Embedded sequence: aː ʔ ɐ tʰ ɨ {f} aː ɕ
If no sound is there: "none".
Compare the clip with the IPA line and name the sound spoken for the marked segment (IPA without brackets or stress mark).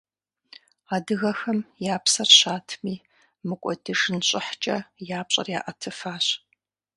f